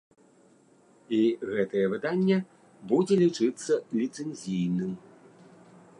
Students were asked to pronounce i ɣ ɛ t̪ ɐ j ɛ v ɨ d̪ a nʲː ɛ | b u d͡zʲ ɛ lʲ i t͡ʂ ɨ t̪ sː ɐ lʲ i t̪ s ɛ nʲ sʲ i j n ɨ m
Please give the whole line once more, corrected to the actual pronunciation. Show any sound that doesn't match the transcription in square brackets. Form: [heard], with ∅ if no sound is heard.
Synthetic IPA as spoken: i ɣ ɛ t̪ ɐ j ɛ v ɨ d̪ a nʲː ɛ | b u d͡zʲ ɛ lʲ i t͡ʂ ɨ t̪ sː ɐ lʲ i t̪ s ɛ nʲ [zʲ] i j n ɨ m